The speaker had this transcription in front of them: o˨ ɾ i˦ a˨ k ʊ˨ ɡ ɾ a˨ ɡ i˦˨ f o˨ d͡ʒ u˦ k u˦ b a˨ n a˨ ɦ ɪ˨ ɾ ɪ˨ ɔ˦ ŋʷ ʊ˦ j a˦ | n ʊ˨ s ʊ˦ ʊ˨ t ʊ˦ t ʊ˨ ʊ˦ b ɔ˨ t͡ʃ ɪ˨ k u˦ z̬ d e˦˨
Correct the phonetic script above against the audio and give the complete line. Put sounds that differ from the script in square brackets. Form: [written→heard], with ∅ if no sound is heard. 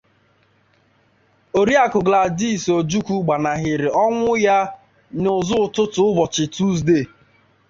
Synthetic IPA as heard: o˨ ɾ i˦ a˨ k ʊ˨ ɡ [ɾ→l] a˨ [ɡ→d] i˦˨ [f→s] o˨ d͡ʒ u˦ k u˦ [b→ɡ͡b] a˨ n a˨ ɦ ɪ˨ ɾ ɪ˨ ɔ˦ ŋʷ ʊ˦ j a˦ | n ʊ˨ [s→z] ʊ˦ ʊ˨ t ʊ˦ t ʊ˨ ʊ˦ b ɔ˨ t͡ʃ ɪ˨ [k→t] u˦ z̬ d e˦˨